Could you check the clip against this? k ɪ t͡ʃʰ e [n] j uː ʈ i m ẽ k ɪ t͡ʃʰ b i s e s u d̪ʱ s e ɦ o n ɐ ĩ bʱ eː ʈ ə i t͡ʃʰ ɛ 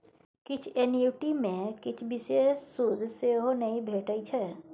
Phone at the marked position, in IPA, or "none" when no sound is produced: n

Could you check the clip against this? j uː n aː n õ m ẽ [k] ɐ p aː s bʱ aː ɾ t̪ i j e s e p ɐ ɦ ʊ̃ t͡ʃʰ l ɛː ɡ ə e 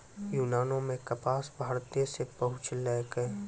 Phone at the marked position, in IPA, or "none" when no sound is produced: k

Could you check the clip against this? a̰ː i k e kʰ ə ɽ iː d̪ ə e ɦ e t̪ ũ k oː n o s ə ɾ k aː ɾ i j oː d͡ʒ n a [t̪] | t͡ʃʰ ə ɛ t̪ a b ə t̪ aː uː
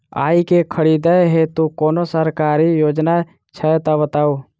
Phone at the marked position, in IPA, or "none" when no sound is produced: none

